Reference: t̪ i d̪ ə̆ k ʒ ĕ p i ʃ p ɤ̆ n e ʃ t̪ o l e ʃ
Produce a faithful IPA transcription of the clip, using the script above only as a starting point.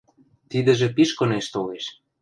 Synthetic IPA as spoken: t̪ i d̪ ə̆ ʒ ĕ p i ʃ k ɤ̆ n e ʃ t̪ o l e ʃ